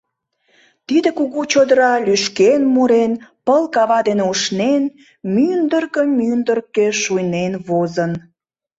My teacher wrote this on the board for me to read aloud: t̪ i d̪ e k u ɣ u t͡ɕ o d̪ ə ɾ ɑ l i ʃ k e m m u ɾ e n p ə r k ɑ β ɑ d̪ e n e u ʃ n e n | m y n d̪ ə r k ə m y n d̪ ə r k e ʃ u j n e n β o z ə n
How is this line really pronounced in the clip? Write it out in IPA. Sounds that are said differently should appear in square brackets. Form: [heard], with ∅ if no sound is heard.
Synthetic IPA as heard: t̪ i d̪ e k u ɣ u t͡ɕ o d̪ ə ɾ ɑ l [y] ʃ k e [n] m u ɾ e n p ə [l] k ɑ β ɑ d̪ e n e u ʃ n e n | m y n d̪ ə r k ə m y n d̪ ə r k e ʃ u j n e n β o z ə n

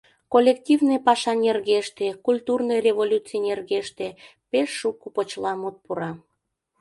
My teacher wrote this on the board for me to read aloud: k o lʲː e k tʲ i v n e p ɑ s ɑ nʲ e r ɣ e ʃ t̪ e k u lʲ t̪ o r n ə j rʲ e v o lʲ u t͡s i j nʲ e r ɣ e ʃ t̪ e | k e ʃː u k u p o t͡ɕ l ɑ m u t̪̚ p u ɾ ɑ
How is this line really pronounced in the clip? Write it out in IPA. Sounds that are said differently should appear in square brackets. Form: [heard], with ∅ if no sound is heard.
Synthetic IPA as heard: k o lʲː e k tʲ i v n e p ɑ [ʃ] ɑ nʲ e r ɣ e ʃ t̪ e k u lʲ t̪ [u] r n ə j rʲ e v o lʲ u t͡s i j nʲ e r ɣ e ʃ t̪ e | [p] e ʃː u k u p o t͡ɕ l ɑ m u t̪̚ p u ɾ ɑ

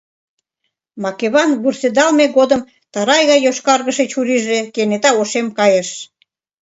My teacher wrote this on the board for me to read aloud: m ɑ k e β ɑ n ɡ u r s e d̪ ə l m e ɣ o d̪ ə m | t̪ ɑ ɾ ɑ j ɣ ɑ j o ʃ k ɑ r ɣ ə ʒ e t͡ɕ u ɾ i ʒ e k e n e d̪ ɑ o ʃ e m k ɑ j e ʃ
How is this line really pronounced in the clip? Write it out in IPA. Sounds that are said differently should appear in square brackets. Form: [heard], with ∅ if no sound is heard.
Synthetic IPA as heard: m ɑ k e β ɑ n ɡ u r s e d̪ [ɑ] l m e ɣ o d̪ ə m | t̪ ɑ ɾ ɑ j ɣ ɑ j o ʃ k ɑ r ɣ ə [ʃ] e t͡ɕ u ɾ i ʒ e k e n e [t̪] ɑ o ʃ e m k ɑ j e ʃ

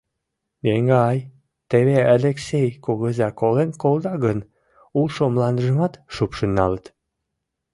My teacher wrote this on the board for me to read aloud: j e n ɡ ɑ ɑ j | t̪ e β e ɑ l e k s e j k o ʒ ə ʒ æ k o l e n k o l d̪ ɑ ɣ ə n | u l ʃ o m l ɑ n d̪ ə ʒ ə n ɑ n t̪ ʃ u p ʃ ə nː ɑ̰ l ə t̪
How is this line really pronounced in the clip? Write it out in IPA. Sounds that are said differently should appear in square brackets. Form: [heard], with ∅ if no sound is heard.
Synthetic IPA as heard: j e [ŋ] ɡ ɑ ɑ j | t̪ e β e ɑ l e k s e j k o [ɣ] ə [z] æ k o l e n k o l d̪ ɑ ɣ ə n | u l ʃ o m l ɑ n d̪ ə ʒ ə [m] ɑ [∅] t̪ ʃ u p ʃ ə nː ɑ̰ l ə t̪

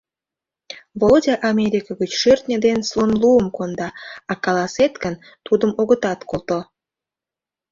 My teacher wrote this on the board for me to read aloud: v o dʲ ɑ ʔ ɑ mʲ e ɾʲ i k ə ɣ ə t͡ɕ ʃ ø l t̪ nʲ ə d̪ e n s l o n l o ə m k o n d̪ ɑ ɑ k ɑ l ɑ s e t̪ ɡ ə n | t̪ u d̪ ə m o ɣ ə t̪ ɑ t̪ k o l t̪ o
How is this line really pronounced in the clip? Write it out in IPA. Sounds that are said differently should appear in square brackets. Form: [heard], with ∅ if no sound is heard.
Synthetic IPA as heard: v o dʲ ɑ ʔ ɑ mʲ e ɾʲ i k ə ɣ ə t͡ɕ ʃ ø [r] t̪ nʲ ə d̪ e n s l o n l [u] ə m k o n d̪ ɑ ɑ k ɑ l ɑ s e t̪ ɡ ə n | t̪ u d̪ ə m o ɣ ə t̪ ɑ t̪ k o l t̪ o

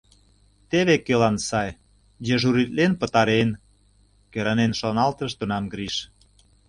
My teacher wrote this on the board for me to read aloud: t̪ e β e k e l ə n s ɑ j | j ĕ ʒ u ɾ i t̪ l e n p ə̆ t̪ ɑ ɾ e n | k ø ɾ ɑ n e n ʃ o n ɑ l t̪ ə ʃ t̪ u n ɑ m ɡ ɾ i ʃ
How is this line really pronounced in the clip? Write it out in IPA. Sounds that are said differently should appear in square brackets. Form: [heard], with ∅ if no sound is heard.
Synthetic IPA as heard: t̪ e β e k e l [ɑ] n s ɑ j | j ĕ ʒ u ɾ i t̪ l e n p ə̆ t̪ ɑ ɾ e n | k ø ɾ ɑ n e n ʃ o n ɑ l t̪ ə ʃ t̪ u n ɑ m ɡ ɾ i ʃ

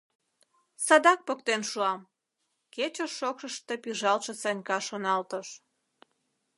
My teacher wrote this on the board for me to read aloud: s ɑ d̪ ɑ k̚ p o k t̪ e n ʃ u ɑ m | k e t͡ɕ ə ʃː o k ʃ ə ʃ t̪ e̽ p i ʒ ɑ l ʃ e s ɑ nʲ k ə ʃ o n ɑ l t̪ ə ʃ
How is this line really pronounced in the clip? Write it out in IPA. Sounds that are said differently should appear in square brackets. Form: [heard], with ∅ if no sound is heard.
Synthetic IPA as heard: s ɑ d̪ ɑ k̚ p o k t̪ e n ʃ u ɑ m | k e t͡ɕ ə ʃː o k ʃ ə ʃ t̪ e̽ p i ʒ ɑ l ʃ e s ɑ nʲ k [ɑ] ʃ o n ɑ l t̪ ə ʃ

